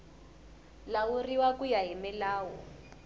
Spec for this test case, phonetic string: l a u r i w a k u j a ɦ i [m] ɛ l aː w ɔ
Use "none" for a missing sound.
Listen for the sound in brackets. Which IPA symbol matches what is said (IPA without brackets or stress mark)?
m